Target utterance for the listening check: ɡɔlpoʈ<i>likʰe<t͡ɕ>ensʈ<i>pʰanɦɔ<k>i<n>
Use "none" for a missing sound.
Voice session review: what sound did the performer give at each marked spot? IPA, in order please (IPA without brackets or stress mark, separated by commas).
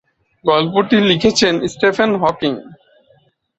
i, t͡ɕʰ, e, k, ŋ